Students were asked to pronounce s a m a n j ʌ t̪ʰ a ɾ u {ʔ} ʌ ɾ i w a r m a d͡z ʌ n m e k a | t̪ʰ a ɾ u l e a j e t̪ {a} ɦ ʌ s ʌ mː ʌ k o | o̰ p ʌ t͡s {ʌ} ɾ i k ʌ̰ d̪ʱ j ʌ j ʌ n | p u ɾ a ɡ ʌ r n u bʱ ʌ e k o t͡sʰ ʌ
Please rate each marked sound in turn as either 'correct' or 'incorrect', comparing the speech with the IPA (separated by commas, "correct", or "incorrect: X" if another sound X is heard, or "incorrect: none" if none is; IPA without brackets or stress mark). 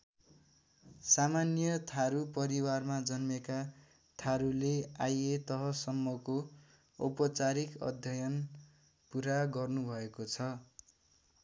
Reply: incorrect: p, incorrect: ʌ, incorrect: a